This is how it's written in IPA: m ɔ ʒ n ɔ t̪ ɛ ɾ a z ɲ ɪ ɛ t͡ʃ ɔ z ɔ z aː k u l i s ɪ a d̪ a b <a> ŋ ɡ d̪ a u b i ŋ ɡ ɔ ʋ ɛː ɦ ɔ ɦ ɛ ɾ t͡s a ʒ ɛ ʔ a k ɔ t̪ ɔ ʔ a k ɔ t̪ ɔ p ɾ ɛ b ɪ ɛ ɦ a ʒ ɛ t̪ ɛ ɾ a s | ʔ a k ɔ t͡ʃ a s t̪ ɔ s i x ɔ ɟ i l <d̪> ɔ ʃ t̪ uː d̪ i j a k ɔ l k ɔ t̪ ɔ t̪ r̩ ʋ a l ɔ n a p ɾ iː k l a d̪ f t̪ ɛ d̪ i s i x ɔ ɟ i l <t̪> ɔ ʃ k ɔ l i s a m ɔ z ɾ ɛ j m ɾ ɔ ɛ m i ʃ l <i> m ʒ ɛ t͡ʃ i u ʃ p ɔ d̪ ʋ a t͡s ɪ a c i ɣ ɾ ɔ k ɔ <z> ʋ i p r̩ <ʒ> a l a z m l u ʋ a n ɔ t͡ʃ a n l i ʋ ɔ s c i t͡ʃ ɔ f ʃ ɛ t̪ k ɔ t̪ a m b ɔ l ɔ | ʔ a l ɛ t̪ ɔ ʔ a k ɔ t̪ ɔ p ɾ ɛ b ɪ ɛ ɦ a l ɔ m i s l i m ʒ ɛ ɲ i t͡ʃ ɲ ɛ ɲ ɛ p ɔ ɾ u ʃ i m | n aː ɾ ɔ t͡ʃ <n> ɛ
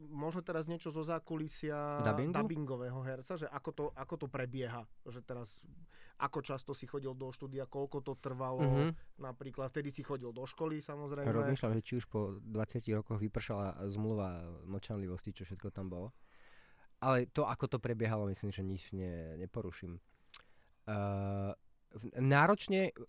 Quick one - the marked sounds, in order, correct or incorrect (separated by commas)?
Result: incorrect, correct, incorrect, incorrect, incorrect, incorrect, incorrect